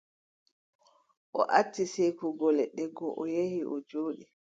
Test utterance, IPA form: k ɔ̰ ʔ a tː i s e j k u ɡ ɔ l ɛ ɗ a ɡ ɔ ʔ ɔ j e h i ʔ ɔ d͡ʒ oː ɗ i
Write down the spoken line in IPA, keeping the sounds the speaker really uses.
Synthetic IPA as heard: ʔ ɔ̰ ʔ a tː i s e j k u ɡ ɔ l ɛ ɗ ɛ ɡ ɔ ʔ ɔ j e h i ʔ ɔ d͡ʒ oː ɗ i